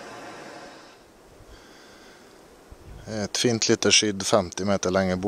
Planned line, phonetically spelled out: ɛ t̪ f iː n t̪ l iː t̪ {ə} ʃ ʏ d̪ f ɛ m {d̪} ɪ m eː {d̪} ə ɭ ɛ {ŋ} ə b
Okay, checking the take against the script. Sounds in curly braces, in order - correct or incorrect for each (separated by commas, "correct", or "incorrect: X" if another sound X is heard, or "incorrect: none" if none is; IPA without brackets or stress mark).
correct, incorrect: t̪, incorrect: t̪, correct